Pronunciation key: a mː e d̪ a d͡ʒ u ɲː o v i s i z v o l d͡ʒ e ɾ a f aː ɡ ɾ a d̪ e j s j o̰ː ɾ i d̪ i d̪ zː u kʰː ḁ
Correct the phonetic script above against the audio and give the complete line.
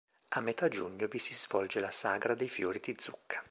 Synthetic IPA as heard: a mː e t̪ a d͡ʒ u ɲː o v i s i z v ɔ l d͡ʒ e l a s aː ɡ ɾ a d̪ e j f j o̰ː ɾ i d̪ i d̪ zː u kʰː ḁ